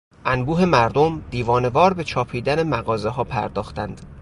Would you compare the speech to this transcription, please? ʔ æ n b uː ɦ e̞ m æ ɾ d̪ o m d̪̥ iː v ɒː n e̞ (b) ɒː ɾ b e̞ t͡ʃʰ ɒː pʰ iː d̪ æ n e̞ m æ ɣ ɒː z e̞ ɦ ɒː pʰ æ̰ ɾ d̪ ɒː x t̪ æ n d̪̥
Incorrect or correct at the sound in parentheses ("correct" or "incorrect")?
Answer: incorrect